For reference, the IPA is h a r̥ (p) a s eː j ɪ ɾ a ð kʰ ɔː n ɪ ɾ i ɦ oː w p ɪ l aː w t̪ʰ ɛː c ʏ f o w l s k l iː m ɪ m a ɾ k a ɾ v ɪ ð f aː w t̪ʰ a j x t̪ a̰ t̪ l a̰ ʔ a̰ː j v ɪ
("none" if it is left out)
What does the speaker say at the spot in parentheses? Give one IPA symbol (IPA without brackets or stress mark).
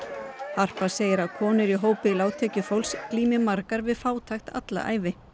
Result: p